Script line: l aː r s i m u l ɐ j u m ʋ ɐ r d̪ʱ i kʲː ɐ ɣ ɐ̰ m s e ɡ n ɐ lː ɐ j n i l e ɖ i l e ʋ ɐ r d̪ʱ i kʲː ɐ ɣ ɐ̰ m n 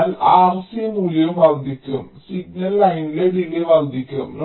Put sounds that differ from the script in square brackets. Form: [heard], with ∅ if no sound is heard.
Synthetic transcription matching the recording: l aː r s i m u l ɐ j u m ʋ ɐ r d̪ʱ i kʲː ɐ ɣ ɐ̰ m s [i] ɡ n ɐ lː ɐ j n i l e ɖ i l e ʋ ɐ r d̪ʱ i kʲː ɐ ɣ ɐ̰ m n